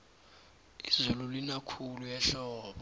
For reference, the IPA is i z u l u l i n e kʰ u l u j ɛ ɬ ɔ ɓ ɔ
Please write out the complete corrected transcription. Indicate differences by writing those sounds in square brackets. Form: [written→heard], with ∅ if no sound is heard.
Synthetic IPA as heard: i z u l u l i n [e→a] kʰ u l u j ɛ ɬ [ɔ→ɔː] ɓ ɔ

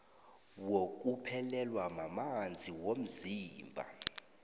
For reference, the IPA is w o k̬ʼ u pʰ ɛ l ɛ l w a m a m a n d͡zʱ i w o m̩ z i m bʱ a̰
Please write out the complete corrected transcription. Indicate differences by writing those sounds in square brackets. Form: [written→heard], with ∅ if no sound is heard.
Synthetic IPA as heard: w o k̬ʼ u pʰ ɛ l ɛ l w a m a m a n d͡zʱ i w o m̩ z [i→iː] m bʱ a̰

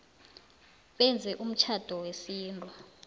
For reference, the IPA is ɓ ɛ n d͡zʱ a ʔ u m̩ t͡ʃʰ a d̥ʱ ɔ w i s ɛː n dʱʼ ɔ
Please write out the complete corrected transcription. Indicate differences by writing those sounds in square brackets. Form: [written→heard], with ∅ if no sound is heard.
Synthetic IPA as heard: ɓ ɛ n d͡zʱ [a→ɛ] ʔ u m̩ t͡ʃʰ a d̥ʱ ɔ w [i→e] s [ɛː→iː] n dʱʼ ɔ

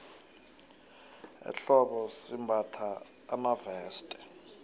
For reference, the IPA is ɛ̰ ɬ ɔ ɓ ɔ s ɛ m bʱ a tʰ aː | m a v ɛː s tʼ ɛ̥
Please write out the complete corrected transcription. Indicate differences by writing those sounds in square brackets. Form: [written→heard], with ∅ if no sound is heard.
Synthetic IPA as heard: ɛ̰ ɬ ɔ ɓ ɔ s [ɛ→i] m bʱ a tʰ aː | m a v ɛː s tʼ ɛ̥

